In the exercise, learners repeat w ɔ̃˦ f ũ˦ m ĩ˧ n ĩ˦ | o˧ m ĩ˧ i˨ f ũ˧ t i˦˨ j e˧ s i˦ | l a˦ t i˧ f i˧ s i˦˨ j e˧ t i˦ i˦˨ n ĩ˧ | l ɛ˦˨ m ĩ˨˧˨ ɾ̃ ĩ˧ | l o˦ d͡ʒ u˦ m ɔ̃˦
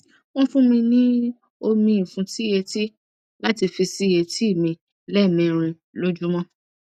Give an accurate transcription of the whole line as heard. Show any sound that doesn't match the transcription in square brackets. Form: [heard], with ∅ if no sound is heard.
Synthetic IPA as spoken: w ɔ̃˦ f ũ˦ m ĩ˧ n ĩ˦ | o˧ m ĩ˧ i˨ f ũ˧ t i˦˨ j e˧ [t] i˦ | l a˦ t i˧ f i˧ s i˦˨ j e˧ t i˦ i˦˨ [m] ĩ˧ | l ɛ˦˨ m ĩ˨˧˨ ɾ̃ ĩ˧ | l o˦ d͡ʒ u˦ m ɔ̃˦